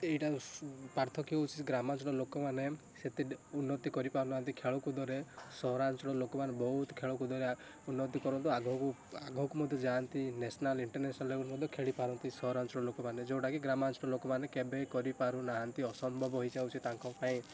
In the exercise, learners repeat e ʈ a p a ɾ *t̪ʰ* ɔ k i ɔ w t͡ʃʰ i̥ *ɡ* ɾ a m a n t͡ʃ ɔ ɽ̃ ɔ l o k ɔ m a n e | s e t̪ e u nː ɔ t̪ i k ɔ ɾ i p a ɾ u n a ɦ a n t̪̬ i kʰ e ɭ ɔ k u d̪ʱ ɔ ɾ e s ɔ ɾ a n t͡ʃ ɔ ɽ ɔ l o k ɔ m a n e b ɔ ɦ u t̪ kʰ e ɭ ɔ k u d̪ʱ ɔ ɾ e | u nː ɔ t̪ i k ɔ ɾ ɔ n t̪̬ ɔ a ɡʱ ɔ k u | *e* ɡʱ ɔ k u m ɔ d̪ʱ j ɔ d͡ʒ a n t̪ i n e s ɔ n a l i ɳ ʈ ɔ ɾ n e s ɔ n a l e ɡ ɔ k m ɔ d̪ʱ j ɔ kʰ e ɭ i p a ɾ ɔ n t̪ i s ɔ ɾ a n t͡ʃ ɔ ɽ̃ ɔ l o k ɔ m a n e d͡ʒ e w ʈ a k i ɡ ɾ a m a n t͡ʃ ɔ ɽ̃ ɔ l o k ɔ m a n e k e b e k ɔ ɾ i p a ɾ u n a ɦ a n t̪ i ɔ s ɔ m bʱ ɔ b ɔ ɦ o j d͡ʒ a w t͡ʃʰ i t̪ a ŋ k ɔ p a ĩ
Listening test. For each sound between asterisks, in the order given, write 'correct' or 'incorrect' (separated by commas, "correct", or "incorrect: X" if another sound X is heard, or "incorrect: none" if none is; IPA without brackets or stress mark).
correct, correct, incorrect: a